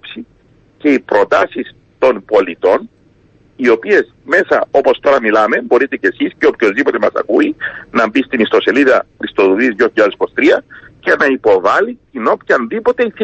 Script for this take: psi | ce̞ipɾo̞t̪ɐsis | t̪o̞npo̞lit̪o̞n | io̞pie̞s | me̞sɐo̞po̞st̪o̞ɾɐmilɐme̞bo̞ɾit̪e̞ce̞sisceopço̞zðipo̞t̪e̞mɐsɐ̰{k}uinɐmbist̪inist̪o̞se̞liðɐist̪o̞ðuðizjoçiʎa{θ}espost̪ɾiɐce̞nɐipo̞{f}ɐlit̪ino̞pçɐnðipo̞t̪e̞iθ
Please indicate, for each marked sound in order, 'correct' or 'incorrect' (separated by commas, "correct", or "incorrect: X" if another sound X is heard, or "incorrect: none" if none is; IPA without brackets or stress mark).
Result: correct, incorrect: ð, incorrect: v